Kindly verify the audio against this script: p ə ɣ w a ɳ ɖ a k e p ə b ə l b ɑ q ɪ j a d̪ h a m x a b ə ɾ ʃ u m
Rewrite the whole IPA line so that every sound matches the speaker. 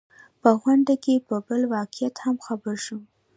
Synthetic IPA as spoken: p ə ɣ w a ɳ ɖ a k e p ə b ə l w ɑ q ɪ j a t̪ h a m x a b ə ɾ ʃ u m